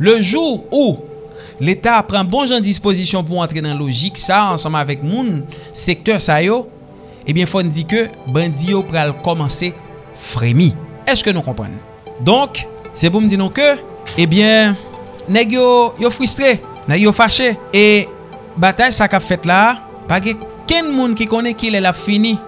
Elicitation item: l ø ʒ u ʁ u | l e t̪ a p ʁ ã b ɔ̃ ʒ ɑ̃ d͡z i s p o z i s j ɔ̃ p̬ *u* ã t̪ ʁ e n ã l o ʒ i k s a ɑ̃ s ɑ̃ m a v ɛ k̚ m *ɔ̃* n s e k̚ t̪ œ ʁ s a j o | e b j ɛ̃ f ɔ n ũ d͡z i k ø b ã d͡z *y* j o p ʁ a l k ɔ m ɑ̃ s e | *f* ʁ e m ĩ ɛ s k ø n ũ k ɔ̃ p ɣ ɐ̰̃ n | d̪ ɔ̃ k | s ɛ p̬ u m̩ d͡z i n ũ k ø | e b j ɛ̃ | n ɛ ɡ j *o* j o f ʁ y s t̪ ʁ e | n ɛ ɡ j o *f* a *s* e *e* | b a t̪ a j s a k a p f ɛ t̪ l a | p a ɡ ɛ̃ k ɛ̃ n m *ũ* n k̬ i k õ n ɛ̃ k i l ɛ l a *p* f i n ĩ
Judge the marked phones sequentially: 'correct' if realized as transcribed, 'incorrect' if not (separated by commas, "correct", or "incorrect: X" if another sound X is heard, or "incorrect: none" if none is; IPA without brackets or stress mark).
correct, incorrect: ũ, incorrect: i, correct, correct, correct, incorrect: ʃ, correct, correct, correct